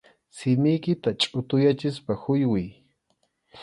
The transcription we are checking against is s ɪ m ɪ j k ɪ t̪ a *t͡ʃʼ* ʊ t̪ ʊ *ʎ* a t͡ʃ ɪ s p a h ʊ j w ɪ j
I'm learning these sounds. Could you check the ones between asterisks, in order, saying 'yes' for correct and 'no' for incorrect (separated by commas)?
yes, no